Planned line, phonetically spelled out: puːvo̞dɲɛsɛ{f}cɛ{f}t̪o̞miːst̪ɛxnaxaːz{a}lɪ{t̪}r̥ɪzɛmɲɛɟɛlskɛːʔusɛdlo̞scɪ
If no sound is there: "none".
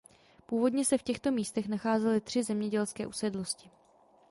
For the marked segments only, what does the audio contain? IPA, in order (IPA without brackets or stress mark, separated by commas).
f, x, ɛ, t̪